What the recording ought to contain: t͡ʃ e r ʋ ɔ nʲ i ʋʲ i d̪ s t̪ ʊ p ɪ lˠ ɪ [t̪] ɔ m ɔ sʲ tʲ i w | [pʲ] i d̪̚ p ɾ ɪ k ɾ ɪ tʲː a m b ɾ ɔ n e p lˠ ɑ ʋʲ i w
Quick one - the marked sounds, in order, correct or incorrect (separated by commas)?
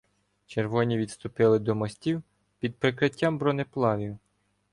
incorrect, correct